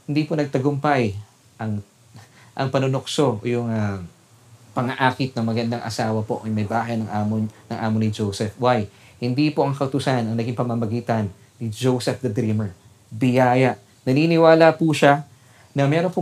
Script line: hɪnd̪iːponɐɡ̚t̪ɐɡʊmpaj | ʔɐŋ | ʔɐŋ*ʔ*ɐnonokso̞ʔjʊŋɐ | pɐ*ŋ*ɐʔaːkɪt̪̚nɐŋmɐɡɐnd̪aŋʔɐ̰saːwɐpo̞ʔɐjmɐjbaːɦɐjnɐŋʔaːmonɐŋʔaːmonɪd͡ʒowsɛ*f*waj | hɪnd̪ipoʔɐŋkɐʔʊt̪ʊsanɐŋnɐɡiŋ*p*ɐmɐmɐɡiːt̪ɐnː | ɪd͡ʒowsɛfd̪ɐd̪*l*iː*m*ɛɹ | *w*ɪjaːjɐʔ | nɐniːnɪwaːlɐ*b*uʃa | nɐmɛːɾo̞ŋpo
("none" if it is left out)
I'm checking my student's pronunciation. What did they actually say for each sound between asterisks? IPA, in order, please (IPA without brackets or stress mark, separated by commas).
p, ŋ, f, p, ɾ, m, b, p